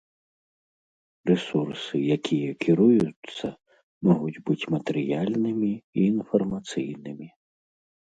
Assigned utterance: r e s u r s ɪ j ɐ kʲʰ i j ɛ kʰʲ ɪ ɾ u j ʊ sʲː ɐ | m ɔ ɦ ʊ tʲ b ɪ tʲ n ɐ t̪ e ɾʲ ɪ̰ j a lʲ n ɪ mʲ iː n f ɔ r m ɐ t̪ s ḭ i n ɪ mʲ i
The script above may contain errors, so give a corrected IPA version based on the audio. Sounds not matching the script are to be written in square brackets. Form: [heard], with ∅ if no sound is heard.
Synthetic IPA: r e s u r s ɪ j ɐ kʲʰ i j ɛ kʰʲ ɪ ɾ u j ʊ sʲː ɐ | m ɔ ɦ ʊ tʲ b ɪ tʲ [m] ɐ t̪ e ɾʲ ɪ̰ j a lʲ n ɪ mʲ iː n f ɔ r m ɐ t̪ s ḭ [j] n ɪ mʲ i